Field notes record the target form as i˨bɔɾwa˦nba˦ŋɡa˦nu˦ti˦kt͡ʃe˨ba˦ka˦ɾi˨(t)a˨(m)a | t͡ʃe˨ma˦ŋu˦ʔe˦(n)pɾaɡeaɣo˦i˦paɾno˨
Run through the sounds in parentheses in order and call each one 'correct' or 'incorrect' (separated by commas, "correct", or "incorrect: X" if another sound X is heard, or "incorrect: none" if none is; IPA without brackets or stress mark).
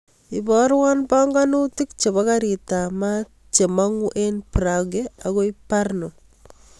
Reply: correct, correct, correct